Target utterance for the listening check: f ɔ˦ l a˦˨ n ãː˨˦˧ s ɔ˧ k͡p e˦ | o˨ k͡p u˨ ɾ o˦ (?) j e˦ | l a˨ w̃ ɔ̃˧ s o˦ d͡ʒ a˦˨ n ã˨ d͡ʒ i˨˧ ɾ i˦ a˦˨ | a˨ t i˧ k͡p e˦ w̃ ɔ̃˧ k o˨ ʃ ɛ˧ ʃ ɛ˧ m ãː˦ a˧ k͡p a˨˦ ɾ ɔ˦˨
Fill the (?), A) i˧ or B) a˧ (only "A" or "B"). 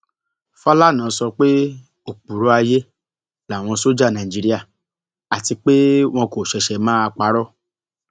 B